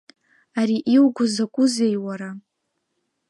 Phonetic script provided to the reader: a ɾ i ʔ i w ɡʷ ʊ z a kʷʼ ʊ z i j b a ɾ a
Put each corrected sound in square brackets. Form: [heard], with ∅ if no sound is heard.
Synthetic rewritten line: a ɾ i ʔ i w ɡʷ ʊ z a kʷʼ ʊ z [e] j [w] a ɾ a